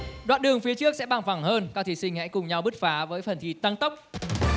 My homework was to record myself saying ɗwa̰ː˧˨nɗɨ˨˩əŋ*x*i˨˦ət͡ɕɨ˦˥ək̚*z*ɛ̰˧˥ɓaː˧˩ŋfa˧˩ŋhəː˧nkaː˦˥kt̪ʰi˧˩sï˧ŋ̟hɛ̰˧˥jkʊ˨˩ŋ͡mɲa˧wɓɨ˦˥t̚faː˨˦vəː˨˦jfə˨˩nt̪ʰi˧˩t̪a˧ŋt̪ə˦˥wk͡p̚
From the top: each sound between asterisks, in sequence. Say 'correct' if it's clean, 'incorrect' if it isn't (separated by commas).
incorrect, incorrect